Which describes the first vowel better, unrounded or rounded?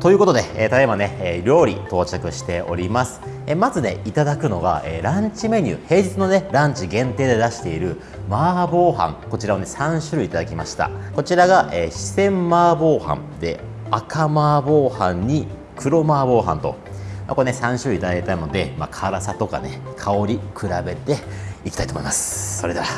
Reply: rounded